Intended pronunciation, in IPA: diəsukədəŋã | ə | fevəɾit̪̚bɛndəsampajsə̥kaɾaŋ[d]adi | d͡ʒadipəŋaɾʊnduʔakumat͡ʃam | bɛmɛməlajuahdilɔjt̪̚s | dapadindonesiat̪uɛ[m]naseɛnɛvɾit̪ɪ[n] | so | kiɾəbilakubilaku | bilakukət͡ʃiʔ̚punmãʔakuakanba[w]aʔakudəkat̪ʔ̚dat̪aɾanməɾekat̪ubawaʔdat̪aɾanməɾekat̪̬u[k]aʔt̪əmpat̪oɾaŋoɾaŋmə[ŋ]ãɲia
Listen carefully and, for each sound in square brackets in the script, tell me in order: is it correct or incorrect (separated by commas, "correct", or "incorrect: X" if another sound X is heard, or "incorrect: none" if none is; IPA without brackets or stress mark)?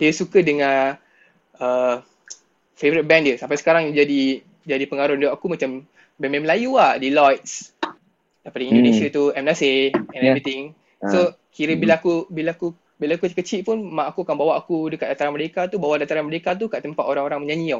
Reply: incorrect: d͡ʒ, correct, incorrect: ŋ, correct, correct, incorrect: ɲ